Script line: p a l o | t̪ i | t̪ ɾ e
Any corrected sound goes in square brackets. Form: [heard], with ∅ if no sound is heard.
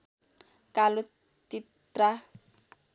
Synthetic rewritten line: [k] a l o | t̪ i | t̪ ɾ [a]